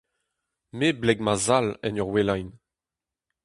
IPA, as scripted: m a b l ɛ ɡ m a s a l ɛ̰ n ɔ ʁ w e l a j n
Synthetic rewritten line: m e b l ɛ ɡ m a z a l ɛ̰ n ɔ ʁ w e l a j n